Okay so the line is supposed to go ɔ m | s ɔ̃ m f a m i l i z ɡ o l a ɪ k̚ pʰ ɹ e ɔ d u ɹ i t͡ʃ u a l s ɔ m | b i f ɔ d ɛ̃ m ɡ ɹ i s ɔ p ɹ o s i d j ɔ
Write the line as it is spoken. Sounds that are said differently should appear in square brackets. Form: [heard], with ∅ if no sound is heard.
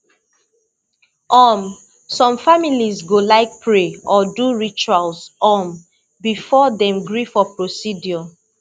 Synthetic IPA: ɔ m | s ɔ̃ m f a m i l i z ɡ o l a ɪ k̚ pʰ ɹ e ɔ d u ɹ i t͡ʃ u a l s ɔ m | b i f ɔ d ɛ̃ m ɡ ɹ i [f] ɔ p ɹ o s i d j ɔ